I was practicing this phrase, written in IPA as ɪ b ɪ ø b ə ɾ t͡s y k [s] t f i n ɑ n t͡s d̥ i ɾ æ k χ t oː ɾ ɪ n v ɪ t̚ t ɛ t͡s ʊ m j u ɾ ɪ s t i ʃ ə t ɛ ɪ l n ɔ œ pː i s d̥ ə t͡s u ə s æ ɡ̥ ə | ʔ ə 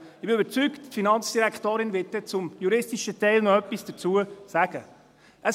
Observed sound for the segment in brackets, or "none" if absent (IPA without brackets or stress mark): t